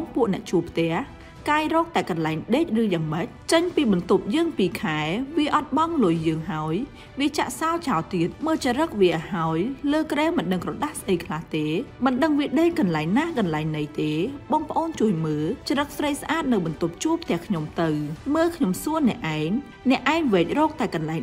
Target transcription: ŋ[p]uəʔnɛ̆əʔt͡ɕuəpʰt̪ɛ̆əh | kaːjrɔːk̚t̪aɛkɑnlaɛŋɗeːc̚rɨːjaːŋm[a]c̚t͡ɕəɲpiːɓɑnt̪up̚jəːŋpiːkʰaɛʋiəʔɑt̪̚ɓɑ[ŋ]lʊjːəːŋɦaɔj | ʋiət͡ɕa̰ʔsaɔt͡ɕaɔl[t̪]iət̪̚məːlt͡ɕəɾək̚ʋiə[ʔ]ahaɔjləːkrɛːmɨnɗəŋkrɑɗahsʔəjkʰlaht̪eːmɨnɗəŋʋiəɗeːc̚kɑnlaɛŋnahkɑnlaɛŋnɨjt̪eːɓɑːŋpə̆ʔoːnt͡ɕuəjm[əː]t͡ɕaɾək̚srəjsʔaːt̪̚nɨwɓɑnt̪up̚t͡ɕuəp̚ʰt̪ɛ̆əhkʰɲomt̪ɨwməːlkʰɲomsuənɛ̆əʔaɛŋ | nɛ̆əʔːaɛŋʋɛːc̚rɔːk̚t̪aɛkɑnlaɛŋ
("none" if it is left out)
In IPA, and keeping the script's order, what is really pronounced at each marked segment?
p, ə, ŋ, t̪, ʔ, əː

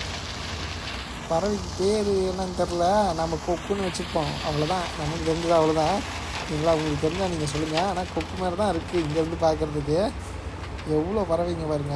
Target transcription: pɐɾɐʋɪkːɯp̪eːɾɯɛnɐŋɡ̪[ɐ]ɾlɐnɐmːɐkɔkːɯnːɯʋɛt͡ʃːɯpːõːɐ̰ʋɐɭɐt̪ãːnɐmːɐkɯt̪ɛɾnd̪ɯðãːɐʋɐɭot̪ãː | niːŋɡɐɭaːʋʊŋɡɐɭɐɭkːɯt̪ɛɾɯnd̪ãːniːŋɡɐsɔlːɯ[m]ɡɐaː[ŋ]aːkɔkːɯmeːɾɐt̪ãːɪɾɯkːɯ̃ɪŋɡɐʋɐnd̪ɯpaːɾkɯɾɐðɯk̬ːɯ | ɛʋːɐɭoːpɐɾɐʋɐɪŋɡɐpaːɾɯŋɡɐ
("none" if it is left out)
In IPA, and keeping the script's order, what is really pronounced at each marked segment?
ɐ, ŋ, n

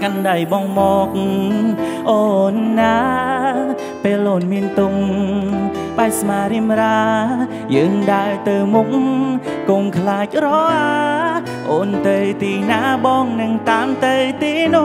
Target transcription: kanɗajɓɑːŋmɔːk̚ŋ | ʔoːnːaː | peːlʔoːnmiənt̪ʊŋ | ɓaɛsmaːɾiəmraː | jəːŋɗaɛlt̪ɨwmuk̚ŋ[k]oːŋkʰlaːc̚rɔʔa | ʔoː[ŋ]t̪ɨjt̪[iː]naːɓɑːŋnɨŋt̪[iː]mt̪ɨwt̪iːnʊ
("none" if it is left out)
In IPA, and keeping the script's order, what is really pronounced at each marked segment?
k, n, iː, aː

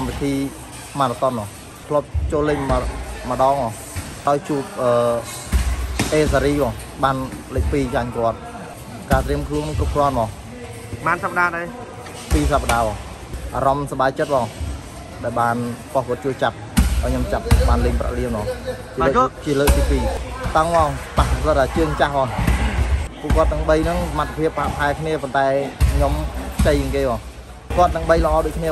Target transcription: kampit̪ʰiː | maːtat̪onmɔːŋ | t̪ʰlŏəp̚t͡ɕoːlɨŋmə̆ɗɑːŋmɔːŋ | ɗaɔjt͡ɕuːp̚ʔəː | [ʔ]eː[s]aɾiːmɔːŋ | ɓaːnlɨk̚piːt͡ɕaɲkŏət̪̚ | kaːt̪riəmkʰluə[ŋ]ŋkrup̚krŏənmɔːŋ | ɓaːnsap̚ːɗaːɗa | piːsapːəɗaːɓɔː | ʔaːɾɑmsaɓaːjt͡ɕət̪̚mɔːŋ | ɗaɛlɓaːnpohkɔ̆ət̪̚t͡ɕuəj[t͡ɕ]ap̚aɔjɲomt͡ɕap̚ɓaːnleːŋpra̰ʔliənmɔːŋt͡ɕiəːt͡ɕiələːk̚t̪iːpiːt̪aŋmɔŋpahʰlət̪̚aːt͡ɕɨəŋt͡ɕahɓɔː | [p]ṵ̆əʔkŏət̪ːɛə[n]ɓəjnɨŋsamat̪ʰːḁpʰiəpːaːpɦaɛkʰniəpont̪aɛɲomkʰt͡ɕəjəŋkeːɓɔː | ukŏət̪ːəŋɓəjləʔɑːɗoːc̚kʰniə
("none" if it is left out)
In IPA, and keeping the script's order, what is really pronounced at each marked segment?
ʔ, s, n, t͡ɕ, p, ŋ

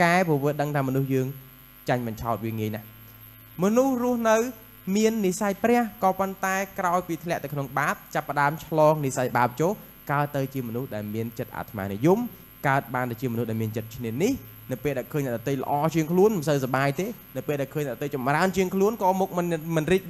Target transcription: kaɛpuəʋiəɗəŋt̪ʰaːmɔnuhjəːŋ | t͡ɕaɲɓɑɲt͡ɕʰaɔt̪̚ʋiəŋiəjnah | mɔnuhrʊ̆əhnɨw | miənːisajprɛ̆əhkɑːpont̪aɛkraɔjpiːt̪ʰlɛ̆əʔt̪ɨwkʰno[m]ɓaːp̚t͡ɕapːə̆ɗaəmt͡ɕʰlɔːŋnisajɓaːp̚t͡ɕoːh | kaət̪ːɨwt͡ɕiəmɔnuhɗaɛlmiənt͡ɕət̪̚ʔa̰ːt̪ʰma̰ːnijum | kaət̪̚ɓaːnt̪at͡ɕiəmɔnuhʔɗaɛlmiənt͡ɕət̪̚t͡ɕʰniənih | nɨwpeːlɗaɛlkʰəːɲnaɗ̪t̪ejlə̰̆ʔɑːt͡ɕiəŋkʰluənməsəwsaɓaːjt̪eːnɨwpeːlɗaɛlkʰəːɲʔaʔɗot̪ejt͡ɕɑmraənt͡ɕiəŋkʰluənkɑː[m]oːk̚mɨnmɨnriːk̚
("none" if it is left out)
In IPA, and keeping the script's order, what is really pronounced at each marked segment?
ŋ, m

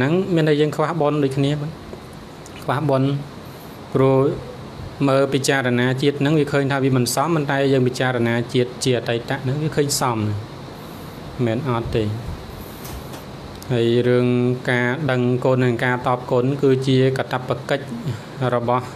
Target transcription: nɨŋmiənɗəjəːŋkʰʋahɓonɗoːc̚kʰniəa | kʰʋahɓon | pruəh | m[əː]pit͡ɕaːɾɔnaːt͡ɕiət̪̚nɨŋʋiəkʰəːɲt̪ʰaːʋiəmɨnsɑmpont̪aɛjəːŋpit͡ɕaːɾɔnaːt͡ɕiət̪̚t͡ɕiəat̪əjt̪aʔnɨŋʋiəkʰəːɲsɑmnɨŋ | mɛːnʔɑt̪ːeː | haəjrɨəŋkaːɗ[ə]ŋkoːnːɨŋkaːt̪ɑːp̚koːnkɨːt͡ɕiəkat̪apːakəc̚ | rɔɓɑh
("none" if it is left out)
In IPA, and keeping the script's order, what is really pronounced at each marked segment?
əː, ə

